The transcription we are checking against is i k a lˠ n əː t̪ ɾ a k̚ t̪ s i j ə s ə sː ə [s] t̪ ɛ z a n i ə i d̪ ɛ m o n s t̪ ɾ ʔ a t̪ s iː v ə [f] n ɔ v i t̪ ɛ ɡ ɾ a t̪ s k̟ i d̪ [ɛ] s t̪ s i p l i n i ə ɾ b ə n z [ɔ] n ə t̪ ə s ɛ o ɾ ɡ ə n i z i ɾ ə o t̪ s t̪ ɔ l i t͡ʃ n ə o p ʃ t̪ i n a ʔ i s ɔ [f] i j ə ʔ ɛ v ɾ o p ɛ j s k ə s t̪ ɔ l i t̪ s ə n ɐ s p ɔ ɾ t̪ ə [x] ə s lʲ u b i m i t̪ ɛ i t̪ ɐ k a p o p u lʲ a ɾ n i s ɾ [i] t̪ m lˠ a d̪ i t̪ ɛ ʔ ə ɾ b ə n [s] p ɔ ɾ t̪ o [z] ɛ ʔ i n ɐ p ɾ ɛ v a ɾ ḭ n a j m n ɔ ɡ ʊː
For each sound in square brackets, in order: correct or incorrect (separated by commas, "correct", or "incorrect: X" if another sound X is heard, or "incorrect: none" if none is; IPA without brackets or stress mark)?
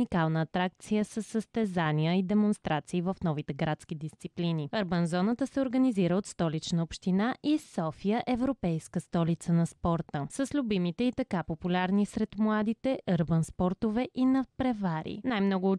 correct, correct, incorrect: i, correct, correct, incorrect: s, incorrect: ɛ, correct, incorrect: v